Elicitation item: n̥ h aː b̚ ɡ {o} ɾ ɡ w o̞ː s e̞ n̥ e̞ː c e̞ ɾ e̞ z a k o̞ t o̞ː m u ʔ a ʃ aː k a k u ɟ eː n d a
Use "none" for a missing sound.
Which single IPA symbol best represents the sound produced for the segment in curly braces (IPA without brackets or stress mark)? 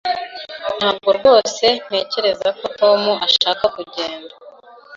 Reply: o